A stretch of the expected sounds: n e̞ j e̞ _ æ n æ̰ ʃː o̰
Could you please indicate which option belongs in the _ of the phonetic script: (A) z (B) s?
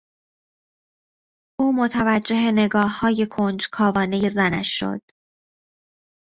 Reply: A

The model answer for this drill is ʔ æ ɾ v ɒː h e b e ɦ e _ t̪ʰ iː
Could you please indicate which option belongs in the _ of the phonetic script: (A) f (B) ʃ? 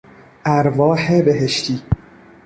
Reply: B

